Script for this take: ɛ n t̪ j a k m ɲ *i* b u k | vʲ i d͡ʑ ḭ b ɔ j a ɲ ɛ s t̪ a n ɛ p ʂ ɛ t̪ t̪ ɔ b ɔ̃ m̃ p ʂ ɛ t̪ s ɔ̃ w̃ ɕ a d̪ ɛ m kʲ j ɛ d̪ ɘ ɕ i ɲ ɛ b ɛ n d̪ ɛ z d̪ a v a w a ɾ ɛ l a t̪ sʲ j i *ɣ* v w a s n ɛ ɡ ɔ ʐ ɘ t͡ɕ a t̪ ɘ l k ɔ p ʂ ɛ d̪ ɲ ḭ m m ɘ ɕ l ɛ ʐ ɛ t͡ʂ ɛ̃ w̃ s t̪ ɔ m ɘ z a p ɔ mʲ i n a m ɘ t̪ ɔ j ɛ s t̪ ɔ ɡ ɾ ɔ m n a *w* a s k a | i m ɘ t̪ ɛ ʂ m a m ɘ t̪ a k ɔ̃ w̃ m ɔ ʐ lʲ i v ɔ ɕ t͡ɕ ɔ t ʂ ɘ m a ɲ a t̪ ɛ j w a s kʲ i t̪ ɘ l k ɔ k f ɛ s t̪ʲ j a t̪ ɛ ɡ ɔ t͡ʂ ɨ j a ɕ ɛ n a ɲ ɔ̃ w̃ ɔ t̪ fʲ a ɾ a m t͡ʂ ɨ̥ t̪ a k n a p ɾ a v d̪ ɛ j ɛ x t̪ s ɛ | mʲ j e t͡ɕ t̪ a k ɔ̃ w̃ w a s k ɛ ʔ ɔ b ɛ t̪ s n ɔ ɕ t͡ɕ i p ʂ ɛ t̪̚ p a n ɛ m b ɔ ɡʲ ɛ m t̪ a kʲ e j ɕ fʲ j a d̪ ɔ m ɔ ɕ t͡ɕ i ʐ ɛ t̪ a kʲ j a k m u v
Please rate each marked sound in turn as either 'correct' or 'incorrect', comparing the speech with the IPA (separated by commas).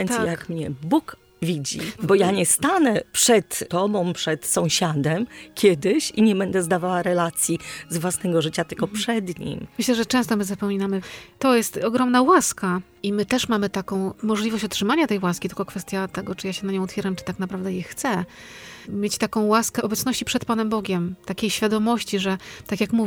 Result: incorrect, incorrect, correct